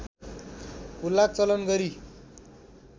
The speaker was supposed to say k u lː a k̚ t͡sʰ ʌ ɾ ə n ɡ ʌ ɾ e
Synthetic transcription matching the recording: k u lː a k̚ t͡s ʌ l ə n ɡ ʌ ɾ i